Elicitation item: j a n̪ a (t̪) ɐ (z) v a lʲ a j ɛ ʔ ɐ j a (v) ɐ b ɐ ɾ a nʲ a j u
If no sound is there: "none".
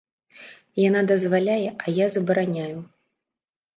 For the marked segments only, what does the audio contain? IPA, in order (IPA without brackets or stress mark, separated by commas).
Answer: d̪, z, z